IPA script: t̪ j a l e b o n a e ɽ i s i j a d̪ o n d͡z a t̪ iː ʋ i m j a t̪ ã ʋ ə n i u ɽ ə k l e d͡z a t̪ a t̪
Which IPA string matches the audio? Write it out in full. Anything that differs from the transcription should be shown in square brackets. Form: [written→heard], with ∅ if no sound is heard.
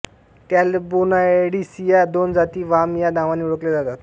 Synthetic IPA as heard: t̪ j a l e b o n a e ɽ i s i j a d̪ o n d͡z a t̪ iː ʋ [i→a] m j a [t̪→d̪] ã ʋ [ə→a] n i u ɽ ə k l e d͡z a t̪ a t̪

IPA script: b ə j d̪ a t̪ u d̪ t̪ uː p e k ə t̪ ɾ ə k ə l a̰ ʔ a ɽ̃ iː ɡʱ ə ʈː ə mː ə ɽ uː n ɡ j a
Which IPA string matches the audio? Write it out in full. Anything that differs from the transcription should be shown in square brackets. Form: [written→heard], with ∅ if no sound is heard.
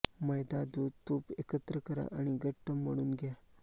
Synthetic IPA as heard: [b→m] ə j d̪ a [t̪→d̪] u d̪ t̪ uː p e k ə t̪ ɾ ə k ə [l→ɾ] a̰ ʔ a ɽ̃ [iː→i] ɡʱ ə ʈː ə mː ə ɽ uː n ɡ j a

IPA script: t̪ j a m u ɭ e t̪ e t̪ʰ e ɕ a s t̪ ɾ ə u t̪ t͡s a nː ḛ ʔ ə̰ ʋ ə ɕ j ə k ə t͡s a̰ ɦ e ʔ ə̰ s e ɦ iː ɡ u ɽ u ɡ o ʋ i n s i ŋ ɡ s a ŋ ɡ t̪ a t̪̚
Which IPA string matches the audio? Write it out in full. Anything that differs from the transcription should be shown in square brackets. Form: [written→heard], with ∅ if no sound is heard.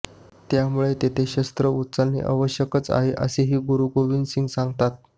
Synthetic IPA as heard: t̪ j a m u ɭ e t̪ e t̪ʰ e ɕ [a→ə] s t̪ ɾ ə u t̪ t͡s a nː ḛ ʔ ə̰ ʋ ə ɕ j ə k ə t͡s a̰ ɦ e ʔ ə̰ s e ɦ iː ɡ u [ɽ→ɾ] u ɡ o ʋ i n s i ŋ ɡ s a ŋ ɡ t̪ a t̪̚

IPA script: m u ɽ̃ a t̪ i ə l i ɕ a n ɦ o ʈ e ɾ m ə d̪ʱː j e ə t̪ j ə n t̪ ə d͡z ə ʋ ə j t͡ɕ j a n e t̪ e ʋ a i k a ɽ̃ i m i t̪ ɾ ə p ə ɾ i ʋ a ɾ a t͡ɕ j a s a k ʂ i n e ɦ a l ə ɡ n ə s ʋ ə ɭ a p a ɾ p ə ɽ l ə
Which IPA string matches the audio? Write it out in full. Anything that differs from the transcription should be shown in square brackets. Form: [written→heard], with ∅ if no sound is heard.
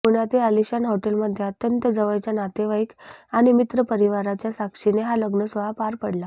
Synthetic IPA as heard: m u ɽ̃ a t̪ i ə l i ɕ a n ɦ o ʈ e [ɾ→l] m ə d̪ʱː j e ə t̪ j ə n t̪ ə d͡z ə ʋ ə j t͡ɕ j a n [e→a] t̪ e ʋ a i k a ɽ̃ i m i t̪ ɾ ə p ə ɾ i ʋ a ɾ a t͡ɕ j a s a k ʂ i n e ɦ a l ə ɡ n ə s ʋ ə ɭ a p a ɾ p ə ɽ l [ə→a]

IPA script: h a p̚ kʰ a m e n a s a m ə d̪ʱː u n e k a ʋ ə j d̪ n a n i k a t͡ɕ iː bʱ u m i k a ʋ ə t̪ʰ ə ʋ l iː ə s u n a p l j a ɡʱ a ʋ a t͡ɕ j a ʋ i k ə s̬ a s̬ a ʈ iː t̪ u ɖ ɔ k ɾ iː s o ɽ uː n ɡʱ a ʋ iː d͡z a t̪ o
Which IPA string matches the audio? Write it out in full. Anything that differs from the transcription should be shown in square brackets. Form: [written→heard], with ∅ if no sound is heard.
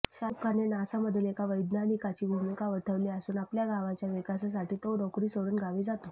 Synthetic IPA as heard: [h→ɕ] a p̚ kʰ a [m→n] e n a s a m ə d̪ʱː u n e k a ʋ ə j d̪ n a n i k a t͡ɕ iː bʱ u m i k a ʋ ə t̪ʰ ə ʋ l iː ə s [u→uː] n a p l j a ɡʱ a ʋ a t͡ɕ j a ʋ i k [ə→a] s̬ a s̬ a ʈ iː t̪ [u→o] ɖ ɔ k ɾ iː s o ɽ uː n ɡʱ a ʋ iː d͡z a t̪ o

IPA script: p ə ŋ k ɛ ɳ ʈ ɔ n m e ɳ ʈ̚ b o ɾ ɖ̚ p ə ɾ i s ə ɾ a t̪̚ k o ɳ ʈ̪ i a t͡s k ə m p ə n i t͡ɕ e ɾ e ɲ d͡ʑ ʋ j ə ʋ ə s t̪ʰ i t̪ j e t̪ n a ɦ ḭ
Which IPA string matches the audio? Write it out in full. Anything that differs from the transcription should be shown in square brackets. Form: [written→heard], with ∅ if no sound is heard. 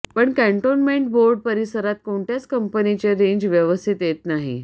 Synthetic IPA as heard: p ə [ŋ→ɳ] k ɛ ɳ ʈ [ɔ→o] n m e ɳ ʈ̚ b o ɾ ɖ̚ p ə ɾ i s ə ɾ a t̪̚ k o ɳ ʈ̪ [i→j] a t͡s k ə m p ə n i t͡ɕ e ɾ e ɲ d͡ʑ ʋ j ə ʋ ə s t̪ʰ i t̪ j e t̪ n a ɦ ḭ

